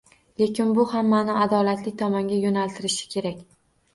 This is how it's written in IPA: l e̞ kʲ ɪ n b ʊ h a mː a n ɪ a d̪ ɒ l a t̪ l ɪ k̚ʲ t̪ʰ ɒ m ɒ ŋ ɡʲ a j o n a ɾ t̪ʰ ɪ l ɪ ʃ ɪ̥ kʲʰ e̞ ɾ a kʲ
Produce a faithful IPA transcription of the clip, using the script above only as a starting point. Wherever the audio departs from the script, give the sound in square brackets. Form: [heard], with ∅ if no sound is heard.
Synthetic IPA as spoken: l e̞ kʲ ɪ n b ʊ h a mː a n ɪ a d̪ ɒ l a t̪ l ɪ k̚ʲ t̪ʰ ɒ m ɒ ŋ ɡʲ a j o n a [l] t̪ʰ ɪ [ɾ] ɪ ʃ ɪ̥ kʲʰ e̞ ɾ a kʲ

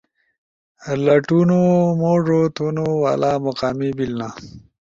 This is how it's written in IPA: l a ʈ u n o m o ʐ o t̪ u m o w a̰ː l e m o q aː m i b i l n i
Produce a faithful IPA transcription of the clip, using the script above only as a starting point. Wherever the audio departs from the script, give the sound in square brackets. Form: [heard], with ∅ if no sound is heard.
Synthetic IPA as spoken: l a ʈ u n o m o ʐ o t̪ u [n] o w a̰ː l [a] m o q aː m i b i l n [a]

